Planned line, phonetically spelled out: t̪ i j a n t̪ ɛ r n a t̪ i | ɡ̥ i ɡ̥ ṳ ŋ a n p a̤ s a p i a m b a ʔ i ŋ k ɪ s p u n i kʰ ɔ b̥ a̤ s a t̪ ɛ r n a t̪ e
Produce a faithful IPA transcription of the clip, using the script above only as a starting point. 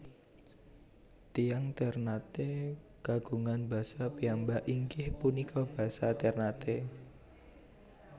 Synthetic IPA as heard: t̪ i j a ŋ t̪ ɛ r n a t̪ e | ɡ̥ a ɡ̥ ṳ ŋ a n b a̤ s a p i a m b a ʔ i ŋ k ɪ h p u n i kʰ ɔ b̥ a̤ s a t̪ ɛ r n a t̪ e